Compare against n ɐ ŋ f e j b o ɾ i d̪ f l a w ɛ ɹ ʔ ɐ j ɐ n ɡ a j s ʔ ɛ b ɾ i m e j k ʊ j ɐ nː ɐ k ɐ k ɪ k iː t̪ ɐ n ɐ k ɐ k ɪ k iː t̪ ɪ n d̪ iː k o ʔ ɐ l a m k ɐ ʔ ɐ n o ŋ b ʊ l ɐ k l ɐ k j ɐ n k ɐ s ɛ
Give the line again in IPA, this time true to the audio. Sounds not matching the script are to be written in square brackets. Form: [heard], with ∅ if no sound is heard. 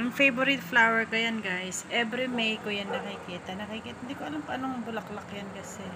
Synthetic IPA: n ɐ ŋ f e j b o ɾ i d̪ f l a w ɛ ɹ [k] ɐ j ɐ n ɡ a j s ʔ ɛ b ɾ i m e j k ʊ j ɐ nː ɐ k ɐ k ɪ k iː t̪ ɐ n ɐ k ɐ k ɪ k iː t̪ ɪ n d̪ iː k o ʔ ɐ l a m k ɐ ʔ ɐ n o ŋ b ʊ l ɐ k l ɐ k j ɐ n k ɐ s ɛ